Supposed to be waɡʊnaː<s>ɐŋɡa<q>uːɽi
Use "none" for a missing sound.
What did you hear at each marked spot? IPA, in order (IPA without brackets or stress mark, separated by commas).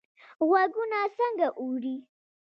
s, ʔ